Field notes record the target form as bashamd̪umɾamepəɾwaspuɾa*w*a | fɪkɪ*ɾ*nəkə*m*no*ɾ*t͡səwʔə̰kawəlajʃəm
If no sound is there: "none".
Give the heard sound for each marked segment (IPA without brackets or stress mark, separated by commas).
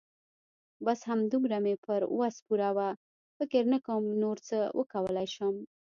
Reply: w, ɾ, m, ɾ